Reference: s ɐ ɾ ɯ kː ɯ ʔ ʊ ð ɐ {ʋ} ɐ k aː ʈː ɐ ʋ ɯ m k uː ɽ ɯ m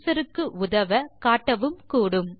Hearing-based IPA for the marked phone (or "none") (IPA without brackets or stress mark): ʋ